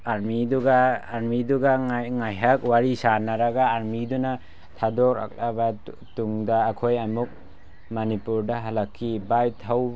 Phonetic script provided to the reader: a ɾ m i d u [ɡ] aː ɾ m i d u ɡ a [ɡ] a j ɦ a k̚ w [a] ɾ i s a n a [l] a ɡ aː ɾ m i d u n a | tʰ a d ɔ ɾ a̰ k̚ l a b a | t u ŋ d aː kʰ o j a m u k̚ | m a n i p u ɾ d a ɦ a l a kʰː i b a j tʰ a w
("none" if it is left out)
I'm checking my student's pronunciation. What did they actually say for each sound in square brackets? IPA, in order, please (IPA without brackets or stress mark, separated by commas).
ɡ, ŋ, a, ɾ